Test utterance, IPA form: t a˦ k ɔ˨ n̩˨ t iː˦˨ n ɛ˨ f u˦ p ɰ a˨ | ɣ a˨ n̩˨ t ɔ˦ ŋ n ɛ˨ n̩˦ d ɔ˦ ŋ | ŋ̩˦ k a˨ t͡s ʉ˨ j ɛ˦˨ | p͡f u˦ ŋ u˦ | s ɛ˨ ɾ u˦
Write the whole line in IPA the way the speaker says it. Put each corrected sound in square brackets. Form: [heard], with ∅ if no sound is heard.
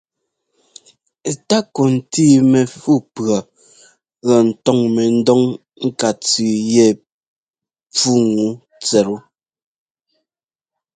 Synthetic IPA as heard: t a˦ k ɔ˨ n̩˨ t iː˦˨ [m] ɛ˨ f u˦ p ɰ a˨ | ɣ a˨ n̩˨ t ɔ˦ ŋ [m] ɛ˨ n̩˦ d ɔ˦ ŋ | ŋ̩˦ k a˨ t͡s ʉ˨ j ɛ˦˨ | p͡f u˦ ŋ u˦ | [t͡s] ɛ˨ ɾ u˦